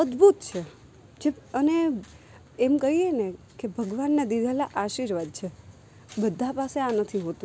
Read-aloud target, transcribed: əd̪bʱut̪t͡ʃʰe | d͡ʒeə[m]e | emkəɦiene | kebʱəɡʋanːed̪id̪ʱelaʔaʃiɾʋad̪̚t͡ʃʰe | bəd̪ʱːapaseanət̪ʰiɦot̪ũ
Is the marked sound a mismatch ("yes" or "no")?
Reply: yes